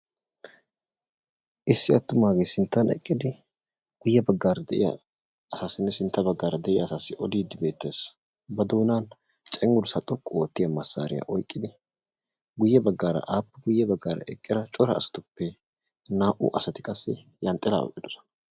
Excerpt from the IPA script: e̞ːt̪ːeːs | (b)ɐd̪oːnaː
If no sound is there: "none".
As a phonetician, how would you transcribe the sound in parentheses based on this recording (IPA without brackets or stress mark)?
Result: b